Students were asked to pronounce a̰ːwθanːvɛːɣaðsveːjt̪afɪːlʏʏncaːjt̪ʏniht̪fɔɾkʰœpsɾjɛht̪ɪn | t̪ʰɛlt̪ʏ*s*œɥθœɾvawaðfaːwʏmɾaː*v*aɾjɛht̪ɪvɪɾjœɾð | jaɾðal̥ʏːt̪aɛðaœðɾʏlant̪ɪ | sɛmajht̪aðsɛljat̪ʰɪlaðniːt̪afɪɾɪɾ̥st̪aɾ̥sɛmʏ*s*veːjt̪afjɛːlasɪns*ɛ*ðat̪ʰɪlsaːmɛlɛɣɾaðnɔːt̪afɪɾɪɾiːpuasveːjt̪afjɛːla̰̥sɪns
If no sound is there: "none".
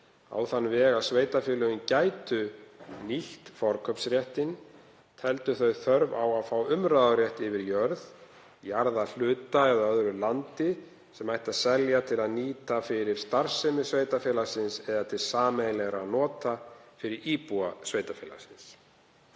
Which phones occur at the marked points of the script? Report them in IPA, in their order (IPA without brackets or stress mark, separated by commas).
θ, ð, s, ɛ